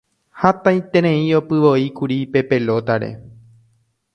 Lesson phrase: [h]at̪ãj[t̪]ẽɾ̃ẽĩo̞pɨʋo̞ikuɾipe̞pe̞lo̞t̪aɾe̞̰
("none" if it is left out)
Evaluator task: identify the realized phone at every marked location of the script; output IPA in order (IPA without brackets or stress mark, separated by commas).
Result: h, t̪